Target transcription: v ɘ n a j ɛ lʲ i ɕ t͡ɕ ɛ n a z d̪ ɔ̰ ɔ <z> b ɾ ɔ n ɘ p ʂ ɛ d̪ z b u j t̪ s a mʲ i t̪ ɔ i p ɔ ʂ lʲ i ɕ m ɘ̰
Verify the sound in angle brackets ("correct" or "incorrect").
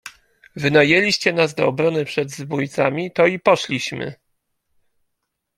incorrect